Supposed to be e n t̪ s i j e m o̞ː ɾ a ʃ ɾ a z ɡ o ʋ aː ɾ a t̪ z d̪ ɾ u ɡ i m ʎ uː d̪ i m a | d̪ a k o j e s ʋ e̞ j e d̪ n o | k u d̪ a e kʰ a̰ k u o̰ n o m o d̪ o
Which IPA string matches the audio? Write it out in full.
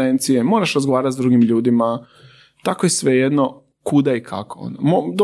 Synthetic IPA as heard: e n t̪ s i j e m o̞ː ɾ a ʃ ɾ a z ɡ o ʋ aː ɾ a t̪ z d̪ ɾ u ɡ i m ʎ uː d̪ i m a | t̪ a k o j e s ʋ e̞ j e d̪ n o | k u d̪ a i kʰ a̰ k o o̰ n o m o d̪ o